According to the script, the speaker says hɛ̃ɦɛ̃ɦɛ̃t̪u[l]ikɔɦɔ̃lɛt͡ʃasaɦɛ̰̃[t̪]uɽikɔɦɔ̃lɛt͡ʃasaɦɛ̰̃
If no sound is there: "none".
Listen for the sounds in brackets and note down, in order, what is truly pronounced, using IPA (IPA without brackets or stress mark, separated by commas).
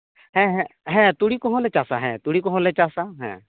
ɽ, t̪